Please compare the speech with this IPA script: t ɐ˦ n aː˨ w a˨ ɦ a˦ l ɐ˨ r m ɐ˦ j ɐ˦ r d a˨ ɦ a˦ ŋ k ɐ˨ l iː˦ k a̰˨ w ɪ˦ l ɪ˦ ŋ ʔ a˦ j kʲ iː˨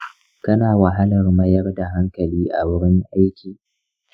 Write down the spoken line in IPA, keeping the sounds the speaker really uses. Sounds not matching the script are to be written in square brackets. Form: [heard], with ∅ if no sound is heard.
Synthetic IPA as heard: [k] ɐ˦ n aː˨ w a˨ ɦ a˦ l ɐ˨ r m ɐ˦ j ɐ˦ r d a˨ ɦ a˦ ŋ k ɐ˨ l iː˦ [ʔ] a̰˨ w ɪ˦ [ɽ] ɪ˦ ŋ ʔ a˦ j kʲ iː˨